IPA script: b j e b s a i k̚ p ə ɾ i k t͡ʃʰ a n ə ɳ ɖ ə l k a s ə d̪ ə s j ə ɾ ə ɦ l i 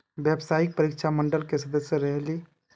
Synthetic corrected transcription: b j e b s a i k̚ p ə ɾ i k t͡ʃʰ a m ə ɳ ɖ ə l k e s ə d̪ ə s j ə ɾ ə ɦ l i

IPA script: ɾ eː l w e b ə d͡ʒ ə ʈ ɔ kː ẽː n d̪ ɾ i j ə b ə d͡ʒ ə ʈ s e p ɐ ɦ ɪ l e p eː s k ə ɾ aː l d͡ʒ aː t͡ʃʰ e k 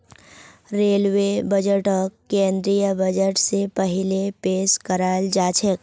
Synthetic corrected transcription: ɾ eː l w e b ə d͡ʒ ə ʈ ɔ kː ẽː n d̪ ɾ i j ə b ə d͡ʒ ə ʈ s e p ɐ ɦ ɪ l e p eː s k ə ɾ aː l d͡ʒ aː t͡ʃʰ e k

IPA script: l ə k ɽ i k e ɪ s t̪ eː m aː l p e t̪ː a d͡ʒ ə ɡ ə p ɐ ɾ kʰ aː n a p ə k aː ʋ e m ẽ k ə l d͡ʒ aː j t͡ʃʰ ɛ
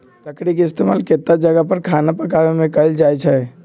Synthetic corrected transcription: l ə k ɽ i k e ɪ s t̪ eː m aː l k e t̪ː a d͡ʒ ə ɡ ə p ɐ ɾ kʰ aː n a p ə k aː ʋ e m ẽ k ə l d͡ʒ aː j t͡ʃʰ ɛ

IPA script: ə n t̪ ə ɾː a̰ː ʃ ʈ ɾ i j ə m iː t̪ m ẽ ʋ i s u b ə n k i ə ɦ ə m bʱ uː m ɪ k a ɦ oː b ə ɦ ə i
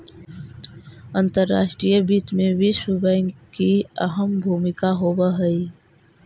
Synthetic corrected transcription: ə n t̪ ə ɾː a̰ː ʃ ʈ ɾ i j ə b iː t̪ m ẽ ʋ i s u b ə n k i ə ɦ ə m bʱ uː m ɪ k a ɦ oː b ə ɦ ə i

